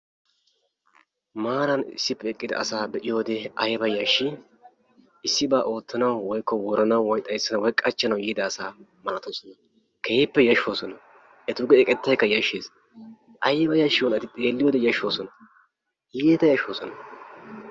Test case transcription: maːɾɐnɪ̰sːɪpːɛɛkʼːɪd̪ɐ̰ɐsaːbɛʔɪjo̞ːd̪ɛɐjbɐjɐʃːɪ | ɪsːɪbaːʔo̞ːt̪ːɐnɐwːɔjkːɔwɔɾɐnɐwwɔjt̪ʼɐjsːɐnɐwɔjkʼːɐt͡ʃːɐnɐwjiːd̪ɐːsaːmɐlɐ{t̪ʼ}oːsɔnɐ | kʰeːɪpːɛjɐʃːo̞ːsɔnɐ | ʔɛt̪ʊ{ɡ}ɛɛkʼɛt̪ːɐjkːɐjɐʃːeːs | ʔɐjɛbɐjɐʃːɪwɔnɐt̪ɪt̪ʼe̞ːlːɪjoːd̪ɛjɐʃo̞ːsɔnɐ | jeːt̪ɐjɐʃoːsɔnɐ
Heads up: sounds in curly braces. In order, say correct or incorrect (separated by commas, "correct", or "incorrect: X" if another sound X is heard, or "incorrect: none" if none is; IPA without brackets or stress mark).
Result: incorrect: t̪, correct